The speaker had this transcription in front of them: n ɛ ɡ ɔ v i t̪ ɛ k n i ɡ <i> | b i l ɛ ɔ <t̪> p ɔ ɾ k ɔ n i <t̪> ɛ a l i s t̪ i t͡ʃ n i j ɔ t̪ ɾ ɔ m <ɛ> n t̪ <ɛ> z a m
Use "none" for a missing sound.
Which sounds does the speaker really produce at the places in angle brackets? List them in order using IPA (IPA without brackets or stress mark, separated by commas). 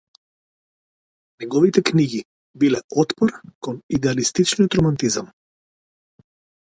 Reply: i, t̪, d̪, a, i